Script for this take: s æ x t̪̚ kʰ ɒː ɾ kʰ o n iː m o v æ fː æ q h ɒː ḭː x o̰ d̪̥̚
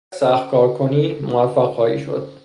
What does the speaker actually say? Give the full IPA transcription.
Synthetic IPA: s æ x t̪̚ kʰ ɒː ɾ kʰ o n iː m o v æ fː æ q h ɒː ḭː ʃ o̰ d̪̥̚